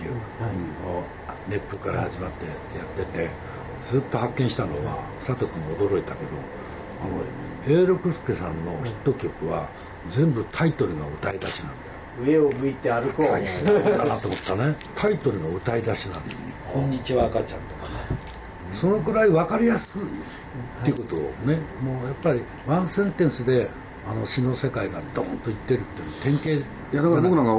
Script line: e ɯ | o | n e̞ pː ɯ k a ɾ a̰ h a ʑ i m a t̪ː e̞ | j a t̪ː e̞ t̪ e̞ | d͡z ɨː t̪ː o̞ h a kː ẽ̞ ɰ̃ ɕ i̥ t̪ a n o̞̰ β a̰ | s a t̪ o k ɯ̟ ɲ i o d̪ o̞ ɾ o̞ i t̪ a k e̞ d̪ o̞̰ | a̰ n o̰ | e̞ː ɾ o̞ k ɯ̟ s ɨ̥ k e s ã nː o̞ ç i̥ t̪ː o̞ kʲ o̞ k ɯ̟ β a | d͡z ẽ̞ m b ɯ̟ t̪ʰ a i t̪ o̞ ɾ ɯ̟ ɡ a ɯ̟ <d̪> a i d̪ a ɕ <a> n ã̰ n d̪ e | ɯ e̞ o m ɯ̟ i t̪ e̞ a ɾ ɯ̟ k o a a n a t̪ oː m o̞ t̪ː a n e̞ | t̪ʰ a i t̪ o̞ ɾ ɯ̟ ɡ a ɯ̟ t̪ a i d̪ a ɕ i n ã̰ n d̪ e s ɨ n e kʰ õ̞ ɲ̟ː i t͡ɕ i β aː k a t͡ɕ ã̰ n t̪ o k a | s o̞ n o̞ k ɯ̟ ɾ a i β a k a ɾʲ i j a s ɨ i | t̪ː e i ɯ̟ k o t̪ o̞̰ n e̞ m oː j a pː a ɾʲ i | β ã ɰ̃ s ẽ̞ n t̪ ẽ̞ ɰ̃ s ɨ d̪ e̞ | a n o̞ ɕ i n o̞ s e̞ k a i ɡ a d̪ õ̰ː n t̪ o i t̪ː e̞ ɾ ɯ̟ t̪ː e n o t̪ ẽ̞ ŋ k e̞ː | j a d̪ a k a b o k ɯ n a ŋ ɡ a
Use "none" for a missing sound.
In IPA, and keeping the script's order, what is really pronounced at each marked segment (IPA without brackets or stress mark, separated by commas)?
t̪, i